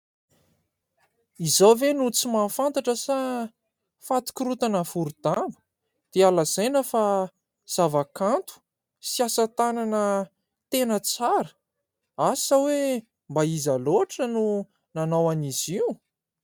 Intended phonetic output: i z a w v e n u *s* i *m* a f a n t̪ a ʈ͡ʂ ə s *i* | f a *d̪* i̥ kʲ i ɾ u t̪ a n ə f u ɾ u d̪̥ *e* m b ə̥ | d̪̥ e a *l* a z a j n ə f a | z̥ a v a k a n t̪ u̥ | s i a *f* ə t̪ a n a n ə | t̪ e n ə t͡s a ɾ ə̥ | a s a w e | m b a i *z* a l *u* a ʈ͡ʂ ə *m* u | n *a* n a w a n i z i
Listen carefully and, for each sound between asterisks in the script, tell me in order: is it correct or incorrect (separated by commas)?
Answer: incorrect, correct, incorrect, incorrect, incorrect, correct, incorrect, correct, incorrect, incorrect, correct